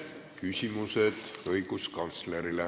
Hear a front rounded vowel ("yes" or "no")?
yes